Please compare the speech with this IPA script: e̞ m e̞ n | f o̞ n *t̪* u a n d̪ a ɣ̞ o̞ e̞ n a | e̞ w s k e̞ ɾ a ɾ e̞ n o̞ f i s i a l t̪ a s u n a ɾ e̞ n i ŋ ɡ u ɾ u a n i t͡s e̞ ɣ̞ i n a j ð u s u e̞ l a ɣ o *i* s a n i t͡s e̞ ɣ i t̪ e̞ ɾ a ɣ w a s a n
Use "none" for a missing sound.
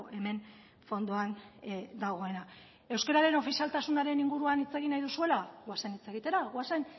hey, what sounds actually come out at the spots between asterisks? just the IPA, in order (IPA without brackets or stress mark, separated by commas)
d̪, a